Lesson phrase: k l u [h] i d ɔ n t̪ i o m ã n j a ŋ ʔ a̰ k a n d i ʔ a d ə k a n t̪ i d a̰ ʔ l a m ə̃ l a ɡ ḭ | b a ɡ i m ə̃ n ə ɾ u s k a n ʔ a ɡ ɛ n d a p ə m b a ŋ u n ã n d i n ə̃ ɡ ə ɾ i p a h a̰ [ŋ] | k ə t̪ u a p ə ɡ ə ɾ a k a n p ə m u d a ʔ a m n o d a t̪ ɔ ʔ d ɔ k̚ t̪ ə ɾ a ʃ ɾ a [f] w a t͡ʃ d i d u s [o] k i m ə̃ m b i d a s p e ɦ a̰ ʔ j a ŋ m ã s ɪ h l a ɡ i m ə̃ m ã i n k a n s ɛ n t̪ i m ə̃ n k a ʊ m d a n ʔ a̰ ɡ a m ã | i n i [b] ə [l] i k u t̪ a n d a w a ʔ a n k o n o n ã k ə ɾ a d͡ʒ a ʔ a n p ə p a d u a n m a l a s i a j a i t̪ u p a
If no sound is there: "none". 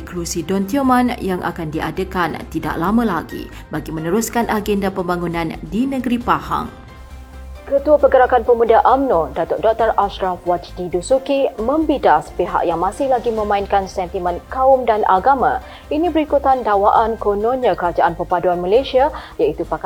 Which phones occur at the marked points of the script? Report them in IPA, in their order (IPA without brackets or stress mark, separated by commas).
s, ŋ, f, u, b, ɾ